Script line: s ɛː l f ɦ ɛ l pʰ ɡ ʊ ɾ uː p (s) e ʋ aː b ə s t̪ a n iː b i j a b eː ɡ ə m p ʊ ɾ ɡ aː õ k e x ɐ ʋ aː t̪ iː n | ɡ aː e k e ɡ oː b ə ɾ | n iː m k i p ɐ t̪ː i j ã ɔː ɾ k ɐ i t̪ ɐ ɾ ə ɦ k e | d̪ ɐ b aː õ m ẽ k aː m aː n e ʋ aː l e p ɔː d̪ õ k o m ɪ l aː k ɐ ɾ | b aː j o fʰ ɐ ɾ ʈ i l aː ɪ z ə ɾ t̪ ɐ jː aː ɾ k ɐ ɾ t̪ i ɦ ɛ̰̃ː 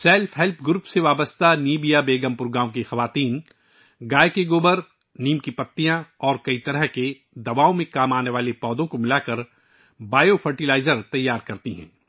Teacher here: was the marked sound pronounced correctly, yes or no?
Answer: yes